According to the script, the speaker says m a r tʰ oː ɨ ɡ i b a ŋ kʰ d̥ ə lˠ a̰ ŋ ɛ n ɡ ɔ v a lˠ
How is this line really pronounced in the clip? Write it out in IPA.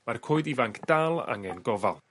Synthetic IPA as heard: m a r kʰ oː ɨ d i v a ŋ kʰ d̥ a lˠ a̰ ŋ ɛ n ɡ ɔ v a lˠ